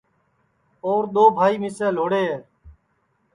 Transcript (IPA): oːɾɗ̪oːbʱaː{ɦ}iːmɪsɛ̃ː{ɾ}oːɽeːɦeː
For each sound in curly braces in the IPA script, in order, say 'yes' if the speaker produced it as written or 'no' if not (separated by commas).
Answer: no, no